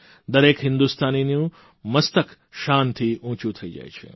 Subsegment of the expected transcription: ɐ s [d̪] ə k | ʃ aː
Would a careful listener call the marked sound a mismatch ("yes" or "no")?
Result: yes